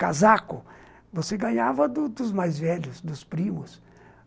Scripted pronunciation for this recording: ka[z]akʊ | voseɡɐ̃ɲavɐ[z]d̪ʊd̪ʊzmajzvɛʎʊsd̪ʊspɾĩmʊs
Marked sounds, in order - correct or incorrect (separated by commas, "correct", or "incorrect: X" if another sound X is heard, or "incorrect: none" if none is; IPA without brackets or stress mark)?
correct, incorrect: none